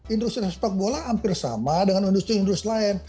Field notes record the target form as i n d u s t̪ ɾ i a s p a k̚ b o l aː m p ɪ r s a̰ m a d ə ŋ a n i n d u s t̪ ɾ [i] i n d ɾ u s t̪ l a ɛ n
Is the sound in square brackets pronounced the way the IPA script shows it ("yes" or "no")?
yes